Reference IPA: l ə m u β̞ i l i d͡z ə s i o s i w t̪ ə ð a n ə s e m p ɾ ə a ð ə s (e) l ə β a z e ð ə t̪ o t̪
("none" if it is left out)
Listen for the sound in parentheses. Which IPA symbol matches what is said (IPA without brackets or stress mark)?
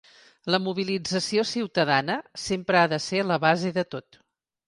e